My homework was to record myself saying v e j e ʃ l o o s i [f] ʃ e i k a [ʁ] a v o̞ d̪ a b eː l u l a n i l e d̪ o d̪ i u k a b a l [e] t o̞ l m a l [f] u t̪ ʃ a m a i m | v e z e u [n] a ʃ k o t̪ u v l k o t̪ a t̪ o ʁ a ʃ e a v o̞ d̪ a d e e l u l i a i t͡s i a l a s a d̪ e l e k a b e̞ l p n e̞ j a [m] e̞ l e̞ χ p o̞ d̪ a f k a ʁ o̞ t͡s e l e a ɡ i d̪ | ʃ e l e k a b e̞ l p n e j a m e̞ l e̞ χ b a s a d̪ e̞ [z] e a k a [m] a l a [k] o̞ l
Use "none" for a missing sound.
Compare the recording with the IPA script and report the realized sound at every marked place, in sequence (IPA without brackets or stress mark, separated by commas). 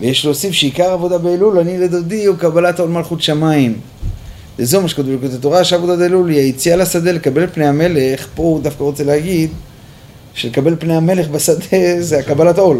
f, ʁ, a, χ, m, m, z, b, t